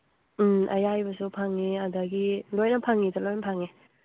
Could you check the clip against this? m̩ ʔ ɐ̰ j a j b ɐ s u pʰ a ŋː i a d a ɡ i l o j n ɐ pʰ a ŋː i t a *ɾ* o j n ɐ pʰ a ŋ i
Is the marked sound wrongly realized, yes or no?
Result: yes